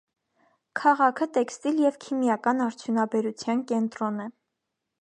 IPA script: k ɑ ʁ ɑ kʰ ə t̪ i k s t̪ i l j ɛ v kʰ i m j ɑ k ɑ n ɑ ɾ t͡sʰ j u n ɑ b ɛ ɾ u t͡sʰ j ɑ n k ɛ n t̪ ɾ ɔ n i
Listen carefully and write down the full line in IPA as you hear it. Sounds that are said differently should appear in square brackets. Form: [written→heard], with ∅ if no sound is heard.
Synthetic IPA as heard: [k→kʰ] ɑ ʁ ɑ kʰ ə t̪ [i→ɛ] k s t̪ i l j ɛ v kʰ i m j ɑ k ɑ n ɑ ɾ t͡sʰ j u n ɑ b ɛ ɾ u t͡sʰ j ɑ n k ɛ n t̪ ɾ ɔ n [i→ɛ]